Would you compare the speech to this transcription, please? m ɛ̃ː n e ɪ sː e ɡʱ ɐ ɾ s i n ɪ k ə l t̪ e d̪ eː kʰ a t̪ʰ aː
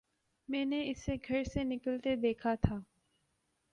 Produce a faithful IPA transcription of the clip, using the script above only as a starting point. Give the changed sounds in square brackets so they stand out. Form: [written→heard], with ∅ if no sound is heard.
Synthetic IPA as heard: m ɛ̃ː n e ɪ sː e ɡʱ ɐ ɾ s [i→e] n ɪ k ə l t̪ e d̪ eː kʰ a t̪ʰ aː